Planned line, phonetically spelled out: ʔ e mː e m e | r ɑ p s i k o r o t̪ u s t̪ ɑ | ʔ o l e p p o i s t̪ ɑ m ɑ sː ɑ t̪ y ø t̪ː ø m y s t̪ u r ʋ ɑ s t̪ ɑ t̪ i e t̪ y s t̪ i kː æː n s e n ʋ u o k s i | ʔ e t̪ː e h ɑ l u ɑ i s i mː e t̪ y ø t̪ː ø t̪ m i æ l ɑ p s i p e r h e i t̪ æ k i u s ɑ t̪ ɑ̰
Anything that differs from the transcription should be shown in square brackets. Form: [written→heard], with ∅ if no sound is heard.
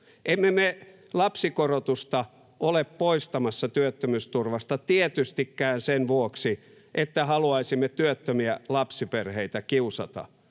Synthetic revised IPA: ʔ e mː e m e | [r→l] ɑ p s i k o r o t̪ u s t̪ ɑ | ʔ o l e p p o i s t̪ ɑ m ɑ sː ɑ t̪ y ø t̪ː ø m y s t̪ u r ʋ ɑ s t̪ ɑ t̪ i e t̪ y s t̪ i kː æː n s e n ʋ u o k s i | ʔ e t̪ː [e→æ] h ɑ l u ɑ i s i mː e t̪ y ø t̪ː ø [t̪→∅] m i æ l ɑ p s i p e r h e i t̪ æ k i u s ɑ t̪ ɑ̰

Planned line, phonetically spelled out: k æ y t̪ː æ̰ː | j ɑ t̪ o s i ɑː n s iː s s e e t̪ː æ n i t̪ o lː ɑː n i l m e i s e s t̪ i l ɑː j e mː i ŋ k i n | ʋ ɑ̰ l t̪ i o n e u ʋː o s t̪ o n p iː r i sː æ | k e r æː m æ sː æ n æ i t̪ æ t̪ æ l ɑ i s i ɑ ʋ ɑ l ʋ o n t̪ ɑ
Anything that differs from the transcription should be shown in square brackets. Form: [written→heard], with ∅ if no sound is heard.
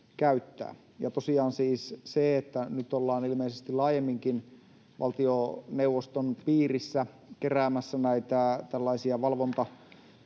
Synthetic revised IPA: k æ y t̪ː æ̰ː | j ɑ t̪ o s i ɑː n s iː s s e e t̪ː æ n [i→y] t̪ o lː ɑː n i l m e i s e s t̪ i l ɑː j e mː i ŋ k i n | ʋ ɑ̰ l t̪ i o n e u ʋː o s t̪ o n p iː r i sː æ | k e r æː m æ sː æ n æ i t̪ æ t̪ æ [l→lː] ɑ i s i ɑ ʋ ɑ l ʋ o n t̪ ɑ

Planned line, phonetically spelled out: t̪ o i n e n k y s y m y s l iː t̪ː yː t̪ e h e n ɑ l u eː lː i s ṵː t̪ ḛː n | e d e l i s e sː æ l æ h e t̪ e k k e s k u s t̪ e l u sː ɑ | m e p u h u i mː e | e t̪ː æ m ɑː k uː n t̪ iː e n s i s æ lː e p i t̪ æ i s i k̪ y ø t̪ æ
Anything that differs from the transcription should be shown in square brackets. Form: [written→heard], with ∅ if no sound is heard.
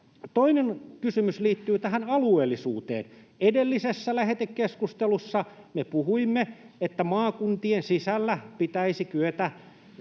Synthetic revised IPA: t̪ o i n e n k y s y m y s l iː t̪ː yː t̪ [e→æ] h [e→æ] n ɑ l u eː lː i s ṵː t̪ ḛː n | e d e [l→lː] i s e sː æ l æ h e t̪ e k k e s k u s t̪ e l u sː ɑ | m e p u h u i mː e | e t̪ː æ m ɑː k [uː→u] n t̪ [iː→i] e n s i s æ lː [e→æ] p i t̪ æ i s i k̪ y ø t̪ æ

